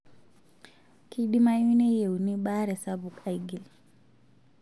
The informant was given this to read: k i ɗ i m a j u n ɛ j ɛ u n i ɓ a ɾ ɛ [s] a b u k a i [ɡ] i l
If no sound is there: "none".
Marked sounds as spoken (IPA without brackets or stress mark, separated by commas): s, ɡ